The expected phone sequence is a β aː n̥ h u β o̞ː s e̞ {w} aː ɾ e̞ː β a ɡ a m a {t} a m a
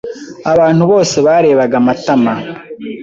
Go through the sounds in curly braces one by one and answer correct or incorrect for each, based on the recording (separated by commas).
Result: incorrect, correct